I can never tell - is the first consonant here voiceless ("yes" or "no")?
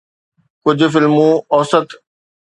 yes